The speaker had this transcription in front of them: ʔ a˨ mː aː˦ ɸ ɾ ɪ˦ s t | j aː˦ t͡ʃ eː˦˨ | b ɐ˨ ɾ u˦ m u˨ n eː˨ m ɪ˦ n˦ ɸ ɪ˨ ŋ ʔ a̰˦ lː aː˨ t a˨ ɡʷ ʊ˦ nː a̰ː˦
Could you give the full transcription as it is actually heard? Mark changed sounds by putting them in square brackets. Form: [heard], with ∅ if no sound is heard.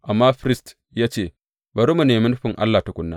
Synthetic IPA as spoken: ʔ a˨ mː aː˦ ɸ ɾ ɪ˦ s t | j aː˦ t͡ʃ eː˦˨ | b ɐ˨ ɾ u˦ m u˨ n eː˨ m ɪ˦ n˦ ɸ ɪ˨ ŋ ʔ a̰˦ lː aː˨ t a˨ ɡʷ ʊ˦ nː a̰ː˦

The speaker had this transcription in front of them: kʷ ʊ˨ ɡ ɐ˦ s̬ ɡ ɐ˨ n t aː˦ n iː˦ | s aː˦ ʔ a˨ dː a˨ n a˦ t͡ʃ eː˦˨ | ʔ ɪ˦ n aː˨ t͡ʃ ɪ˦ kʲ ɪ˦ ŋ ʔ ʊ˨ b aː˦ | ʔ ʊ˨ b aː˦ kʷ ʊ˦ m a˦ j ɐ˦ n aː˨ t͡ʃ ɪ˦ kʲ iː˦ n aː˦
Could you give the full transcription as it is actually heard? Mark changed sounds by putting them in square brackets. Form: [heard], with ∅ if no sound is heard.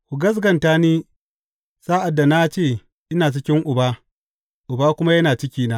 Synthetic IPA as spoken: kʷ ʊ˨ ɡ ɐ˦ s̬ ɡ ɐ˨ n t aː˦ n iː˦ | s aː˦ ʔ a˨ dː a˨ n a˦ t͡ʃ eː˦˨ | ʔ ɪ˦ n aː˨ t͡ʃ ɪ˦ kʲ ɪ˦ ŋ ʔ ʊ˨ b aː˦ | ʔ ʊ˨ b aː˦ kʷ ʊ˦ m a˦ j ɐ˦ n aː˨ t͡ʃ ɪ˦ kʲ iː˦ n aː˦

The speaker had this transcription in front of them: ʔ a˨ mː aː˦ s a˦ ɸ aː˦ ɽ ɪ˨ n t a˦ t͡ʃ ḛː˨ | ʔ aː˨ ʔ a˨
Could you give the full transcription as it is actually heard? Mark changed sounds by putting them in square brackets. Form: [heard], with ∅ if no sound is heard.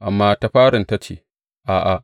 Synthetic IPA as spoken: ʔ a˨ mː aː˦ [t] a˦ ɸ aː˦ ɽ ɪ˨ n t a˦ t͡ʃ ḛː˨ | ʔ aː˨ ʔ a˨

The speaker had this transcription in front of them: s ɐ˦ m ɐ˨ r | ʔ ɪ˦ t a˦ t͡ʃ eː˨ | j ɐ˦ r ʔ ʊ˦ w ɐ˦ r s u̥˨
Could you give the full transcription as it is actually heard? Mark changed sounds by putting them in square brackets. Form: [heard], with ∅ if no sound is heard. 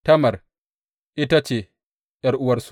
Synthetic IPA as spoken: [t] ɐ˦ m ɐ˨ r | ʔ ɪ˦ t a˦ t͡ʃ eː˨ | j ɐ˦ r ʔ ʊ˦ w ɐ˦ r s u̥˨

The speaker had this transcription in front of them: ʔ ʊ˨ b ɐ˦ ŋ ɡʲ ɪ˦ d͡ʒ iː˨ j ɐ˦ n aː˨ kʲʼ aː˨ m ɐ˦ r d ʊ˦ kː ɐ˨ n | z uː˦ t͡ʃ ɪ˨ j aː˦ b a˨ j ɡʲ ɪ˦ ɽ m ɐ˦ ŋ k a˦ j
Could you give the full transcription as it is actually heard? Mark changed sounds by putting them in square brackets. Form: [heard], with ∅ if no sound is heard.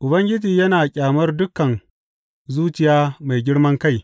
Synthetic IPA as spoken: ʔ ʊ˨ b ɐ˦ ŋ ɡʲ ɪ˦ d͡ʒ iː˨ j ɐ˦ n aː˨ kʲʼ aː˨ m ɐ˦ r d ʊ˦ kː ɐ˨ n | z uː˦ t͡ʃ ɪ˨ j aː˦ [m] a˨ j ɡʲ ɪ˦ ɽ m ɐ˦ ŋ k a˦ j

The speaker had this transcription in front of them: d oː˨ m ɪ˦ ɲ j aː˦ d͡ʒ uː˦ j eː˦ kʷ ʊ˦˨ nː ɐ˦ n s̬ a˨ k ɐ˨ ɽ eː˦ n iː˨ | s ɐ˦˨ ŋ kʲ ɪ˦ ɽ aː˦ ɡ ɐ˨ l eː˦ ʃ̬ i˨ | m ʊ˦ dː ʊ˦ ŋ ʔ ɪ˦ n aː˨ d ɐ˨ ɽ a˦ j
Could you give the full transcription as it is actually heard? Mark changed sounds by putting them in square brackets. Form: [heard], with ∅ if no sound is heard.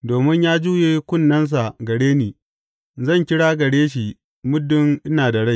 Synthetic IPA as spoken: d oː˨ m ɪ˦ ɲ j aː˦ d͡ʒ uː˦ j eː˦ kʷ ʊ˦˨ nː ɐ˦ n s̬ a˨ [ɡ] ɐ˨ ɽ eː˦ n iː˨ | [z] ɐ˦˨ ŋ kʲ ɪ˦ ɽ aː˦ ɡ ɐ˨ [ɽ] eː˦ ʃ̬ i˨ | m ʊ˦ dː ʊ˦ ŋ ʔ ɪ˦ n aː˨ d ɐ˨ ɽ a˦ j

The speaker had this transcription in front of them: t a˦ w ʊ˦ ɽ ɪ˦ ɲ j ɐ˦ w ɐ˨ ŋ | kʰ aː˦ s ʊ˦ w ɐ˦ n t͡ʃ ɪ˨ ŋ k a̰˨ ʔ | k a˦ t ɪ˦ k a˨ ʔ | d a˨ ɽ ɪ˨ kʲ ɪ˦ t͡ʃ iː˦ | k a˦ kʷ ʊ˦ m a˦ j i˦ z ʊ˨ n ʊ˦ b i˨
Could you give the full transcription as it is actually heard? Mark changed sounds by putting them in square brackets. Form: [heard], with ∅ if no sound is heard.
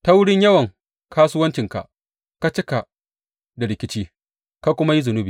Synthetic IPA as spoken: t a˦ w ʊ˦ ɽ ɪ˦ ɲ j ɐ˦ w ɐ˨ ŋ | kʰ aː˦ s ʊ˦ w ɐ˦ n t͡ʃ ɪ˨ ŋ k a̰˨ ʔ | k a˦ [t͡ʃ] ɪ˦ k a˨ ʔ | d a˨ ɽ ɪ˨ kʲ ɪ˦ t͡ʃ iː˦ | k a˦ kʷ ʊ˦ m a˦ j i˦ z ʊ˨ n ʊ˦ b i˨

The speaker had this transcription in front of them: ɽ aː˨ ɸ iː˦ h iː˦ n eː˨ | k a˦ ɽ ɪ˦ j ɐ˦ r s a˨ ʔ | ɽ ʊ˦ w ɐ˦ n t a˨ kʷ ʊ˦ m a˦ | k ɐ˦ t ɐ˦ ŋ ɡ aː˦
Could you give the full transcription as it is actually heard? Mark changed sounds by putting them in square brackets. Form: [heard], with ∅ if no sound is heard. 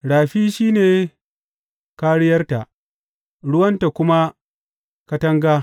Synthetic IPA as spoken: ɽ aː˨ ɸ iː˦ [ʃ] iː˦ n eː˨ | k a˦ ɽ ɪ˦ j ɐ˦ r [t] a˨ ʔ | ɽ ʊ˦ w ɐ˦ n t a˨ kʷ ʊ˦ m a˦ | k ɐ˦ t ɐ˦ ŋ ɡ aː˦

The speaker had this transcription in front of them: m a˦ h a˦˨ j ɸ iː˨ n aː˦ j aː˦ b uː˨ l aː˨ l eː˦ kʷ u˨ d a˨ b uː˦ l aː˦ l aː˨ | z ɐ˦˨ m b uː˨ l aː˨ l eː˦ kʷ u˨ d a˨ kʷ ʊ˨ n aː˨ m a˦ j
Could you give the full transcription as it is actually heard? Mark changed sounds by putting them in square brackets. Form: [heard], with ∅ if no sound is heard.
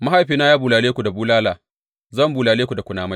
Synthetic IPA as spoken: m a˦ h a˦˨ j ɸ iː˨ n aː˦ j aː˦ b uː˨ l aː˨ l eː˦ kʷ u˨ d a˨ b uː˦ l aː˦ l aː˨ | z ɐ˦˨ m b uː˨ l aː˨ l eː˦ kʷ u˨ d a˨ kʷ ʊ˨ n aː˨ m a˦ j

